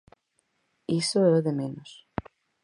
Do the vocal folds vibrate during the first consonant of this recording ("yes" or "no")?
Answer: no